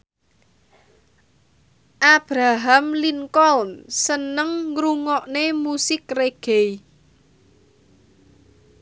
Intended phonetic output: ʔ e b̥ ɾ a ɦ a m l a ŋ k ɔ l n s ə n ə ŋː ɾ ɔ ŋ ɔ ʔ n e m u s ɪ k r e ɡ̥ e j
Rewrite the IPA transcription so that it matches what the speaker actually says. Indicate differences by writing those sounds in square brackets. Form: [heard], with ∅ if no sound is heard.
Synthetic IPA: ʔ [a] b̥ ɾ a ɦ a m l [i] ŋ k ɔ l n s ə n ə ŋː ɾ [u] ŋ ɔ ʔ n e m u s ɪ k r e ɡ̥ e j

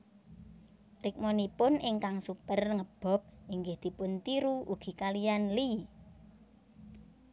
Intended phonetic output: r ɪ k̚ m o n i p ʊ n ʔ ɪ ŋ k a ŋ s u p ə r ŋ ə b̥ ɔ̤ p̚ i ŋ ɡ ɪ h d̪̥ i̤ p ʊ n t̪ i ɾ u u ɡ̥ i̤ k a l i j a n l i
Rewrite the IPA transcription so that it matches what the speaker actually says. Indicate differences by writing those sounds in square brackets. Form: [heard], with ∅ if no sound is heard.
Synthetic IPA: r ɪ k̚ m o n i p ʊ n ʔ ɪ ŋ k a ŋ s u p ə r ŋ ə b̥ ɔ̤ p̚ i ŋ ɡ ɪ h d̪̥ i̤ p ʊ n t̪ i ɾ u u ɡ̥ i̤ k a l i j a n l i

